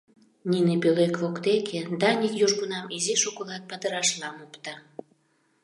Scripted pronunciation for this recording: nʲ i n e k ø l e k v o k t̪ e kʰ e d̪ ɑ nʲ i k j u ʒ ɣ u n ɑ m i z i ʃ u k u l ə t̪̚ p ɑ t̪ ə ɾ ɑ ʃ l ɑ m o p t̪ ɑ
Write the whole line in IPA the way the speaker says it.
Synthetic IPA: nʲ i n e p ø l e k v o k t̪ e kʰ e d̪ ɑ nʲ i k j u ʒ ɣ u n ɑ m i z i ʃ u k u l ɑ t̪̚ p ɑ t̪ ə ɾ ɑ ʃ l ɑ m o p t̪ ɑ